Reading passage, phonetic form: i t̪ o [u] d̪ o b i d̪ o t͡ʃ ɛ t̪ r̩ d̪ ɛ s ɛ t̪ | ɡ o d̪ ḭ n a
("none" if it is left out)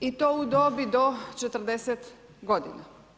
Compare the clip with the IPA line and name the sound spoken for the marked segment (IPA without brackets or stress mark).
u